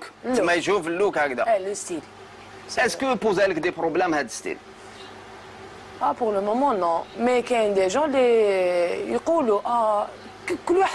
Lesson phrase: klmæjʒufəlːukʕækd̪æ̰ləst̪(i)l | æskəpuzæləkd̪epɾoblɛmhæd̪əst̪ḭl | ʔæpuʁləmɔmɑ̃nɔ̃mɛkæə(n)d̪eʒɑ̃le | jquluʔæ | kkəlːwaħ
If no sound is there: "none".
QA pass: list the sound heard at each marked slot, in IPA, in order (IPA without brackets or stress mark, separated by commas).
i, n